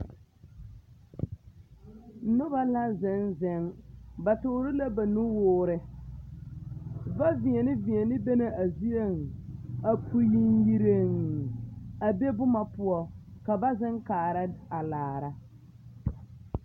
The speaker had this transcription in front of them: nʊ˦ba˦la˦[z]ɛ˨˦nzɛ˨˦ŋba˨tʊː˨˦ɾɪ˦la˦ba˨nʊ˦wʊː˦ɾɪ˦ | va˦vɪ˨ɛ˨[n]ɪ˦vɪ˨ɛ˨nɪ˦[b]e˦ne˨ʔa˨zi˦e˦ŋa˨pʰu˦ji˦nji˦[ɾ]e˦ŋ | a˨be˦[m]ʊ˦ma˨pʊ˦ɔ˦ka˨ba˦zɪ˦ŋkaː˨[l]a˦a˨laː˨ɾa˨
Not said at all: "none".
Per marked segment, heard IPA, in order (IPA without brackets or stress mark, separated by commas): z, n, b, ɾ, b, ɾ